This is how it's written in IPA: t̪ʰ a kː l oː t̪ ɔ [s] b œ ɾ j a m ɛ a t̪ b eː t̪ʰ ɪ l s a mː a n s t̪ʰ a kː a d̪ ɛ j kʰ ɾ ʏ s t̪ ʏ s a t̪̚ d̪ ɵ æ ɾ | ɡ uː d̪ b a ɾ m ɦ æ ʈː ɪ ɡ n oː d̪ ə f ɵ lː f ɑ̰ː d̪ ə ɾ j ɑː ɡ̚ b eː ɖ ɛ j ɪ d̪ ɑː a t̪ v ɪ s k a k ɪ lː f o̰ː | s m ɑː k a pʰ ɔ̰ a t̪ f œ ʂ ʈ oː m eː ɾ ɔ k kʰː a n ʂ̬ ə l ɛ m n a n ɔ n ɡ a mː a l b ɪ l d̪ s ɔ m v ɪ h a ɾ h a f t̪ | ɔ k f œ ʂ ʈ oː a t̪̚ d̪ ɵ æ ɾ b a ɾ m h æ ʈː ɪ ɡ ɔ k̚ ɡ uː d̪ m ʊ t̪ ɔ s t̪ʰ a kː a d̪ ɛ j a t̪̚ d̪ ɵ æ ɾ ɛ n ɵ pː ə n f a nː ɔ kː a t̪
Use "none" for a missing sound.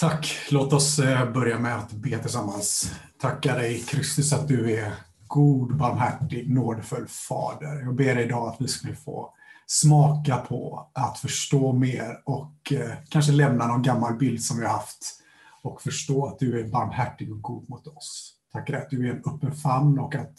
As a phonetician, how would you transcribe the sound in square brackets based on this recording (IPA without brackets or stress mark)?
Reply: s